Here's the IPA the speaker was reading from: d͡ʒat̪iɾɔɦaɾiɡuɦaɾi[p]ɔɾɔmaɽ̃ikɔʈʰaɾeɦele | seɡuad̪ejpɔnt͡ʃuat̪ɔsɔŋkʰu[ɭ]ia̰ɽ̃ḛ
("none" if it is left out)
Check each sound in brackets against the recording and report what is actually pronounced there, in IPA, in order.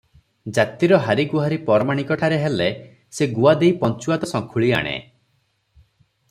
p, ɭ

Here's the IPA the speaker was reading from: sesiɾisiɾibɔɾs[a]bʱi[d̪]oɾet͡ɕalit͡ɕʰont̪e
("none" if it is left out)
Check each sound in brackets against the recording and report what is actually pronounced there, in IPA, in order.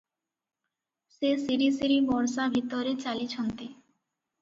a, t̪

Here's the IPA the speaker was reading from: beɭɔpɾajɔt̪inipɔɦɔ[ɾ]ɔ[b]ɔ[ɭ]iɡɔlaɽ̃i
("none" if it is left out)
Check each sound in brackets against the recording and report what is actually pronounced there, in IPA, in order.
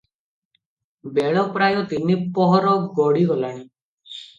ɾ, ɡ, ɽ

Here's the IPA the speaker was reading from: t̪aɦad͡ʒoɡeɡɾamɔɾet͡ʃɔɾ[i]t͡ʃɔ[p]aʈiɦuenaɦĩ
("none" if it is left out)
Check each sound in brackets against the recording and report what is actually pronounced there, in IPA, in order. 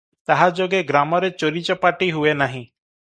i, p

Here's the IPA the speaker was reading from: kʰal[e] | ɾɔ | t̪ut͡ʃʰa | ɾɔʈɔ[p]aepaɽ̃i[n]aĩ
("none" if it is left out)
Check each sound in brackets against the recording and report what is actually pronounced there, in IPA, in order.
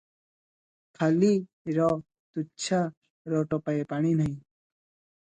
i, p, n

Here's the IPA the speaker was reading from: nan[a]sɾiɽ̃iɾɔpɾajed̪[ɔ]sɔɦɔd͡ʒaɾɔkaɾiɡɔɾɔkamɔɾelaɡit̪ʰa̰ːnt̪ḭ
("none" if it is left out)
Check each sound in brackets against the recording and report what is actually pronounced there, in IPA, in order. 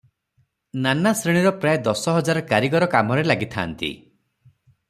a, ɔ

